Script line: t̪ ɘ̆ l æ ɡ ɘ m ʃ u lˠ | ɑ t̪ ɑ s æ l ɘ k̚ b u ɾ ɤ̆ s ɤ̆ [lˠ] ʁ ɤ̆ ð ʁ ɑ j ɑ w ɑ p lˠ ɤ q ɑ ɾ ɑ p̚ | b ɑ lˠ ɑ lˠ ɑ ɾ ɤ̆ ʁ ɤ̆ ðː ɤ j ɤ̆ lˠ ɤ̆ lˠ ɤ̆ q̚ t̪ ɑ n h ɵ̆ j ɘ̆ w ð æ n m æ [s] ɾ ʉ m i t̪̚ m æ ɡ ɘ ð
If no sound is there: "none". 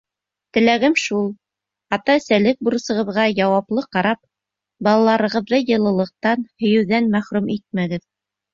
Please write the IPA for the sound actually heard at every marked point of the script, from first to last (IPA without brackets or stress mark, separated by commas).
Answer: none, χ